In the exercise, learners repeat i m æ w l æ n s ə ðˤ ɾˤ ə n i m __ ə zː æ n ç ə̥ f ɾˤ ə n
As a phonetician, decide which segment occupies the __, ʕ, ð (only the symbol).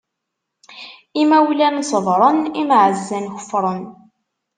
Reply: ʕ